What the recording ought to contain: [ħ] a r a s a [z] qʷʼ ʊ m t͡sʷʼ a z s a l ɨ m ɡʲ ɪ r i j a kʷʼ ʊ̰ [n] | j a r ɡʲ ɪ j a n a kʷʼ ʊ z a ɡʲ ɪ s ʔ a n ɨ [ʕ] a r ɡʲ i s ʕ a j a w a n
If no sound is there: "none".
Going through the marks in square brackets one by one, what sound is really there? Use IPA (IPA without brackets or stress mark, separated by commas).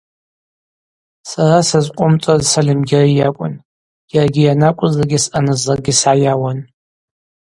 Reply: s, z, n, z